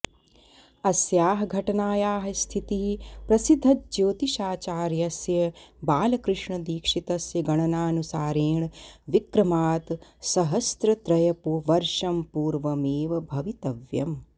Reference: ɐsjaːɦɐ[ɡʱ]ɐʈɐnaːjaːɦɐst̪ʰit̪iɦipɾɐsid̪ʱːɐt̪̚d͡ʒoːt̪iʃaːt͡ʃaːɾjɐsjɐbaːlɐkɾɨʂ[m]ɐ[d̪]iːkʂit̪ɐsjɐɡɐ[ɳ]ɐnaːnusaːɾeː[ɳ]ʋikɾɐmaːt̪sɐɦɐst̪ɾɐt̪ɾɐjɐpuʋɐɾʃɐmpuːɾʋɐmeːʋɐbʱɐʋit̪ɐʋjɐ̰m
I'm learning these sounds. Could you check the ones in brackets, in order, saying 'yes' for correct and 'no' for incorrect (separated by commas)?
yes, no, yes, yes, yes